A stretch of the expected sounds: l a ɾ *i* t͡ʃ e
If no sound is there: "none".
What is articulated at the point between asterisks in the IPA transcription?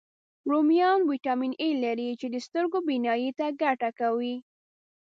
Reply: i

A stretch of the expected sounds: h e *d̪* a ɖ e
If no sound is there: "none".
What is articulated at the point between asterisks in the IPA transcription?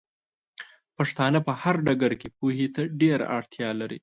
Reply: t̪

